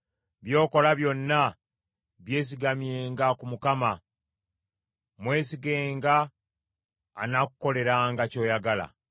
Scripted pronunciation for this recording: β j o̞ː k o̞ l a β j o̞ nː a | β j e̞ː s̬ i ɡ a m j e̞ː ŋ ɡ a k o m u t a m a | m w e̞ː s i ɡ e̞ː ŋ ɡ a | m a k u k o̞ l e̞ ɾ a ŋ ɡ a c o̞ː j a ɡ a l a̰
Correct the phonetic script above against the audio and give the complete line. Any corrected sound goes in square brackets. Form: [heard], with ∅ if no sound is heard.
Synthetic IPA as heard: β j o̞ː k o̞ l a β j o̞ nː a | β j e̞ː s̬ i ɡ a m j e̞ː ŋ ɡ a k [u] m u [k] a m a | m w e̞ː s i ɡ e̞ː ŋ ɡ a | [n] a k u k o̞ l e̞ ɾ a ŋ ɡ a c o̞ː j a ɡ a l a̰